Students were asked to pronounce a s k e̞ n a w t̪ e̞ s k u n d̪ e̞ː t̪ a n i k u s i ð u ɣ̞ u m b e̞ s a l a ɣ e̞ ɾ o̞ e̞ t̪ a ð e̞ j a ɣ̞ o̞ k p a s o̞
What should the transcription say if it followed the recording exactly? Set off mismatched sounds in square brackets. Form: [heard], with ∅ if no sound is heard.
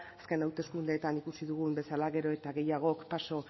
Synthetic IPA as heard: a s k e̞ n a w t̪ e̞ s k u n d̪ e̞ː t̪ a n i k u s i ð u ɣ̞ u m b e̞ s a l a ɣ e̞ ɾ o̞ e̞ t̪ a [ɣ] e̞ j a ɣ̞ o̞ k p a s o̞

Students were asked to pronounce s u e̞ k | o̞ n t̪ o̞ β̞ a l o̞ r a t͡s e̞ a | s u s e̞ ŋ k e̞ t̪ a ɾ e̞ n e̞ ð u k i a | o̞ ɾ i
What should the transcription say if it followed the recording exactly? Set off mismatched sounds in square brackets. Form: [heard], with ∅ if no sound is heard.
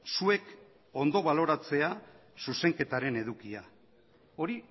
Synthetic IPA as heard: s u e̞ k | o̞ n [d̪] o̞ β̞ a l o̞ [ɾ] a t͡s e̞ a | s u s e̞ ŋ k e̞ t̪ a ɾ e̞ n e̞ ð u k i a | o̞ ɾ i

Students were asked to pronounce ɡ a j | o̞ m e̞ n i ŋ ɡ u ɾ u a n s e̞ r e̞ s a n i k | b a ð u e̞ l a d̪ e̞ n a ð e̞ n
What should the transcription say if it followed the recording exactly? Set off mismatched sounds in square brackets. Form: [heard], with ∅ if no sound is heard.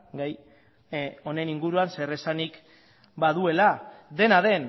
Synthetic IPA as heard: ɡ a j | o̞ [n] e̞ n i ŋ ɡ u ɾ u a n s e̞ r e̞ s a n i k | b a ð u e̞ l a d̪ e̞ n a ð e̞ n

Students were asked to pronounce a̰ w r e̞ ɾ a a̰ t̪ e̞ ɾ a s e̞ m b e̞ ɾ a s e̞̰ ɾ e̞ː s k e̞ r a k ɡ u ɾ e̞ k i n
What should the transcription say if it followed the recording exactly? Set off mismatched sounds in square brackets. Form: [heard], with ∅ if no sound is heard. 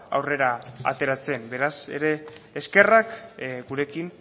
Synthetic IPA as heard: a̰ w r e̞ ɾ a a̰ t̪ e̞ ɾ a [t͡s] e̞ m b e̞ ɾ a s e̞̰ ɾ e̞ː s k e̞ r a k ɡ u ɾ e̞ k i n

